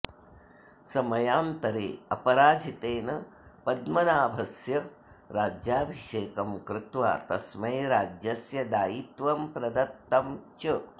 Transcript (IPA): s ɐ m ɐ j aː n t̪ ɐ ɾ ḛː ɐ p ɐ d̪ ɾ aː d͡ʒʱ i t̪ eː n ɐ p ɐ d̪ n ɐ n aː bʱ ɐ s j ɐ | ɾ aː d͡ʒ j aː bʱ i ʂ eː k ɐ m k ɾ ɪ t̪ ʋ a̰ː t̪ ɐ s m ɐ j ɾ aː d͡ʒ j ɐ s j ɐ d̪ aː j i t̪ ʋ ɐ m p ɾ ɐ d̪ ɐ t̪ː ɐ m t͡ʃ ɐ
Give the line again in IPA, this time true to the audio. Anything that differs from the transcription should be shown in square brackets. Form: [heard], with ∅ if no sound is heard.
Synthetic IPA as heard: s ɐ m ɐ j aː n t̪ ɐ ɾ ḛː ɐ p ɐ [∅] ɾ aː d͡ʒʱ i t̪ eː n ɐ p ɐ d̪ [m] ɐ n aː bʱ ɐ s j ɐ | ɾ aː d͡ʒ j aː bʱ i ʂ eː k ɐ m k ɾ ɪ t̪ ʋ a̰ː t̪ ɐ s m ɐ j ɾ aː d͡ʒ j ɐ s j ɐ d̪ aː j i t̪ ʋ ɐ m p ɾ ɐ d̪ ɐ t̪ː ɐ m t͡ʃ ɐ